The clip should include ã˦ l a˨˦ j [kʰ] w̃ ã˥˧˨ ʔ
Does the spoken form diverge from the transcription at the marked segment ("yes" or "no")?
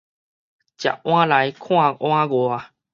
no